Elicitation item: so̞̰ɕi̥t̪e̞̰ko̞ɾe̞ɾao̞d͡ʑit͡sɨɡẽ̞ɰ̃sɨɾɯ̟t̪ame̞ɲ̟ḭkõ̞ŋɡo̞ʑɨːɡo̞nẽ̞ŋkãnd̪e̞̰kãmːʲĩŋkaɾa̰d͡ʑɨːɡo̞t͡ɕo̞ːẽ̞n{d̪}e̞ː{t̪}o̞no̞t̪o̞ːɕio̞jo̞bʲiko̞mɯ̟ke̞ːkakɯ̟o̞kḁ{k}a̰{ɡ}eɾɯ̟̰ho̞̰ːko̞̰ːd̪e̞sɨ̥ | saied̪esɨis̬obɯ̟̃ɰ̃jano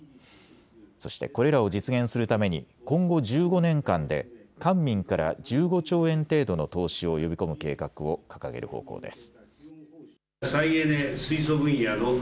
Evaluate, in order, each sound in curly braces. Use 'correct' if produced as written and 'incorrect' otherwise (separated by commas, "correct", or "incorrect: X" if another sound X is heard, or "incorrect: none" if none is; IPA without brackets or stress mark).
incorrect: t̪, incorrect: d̪, correct, correct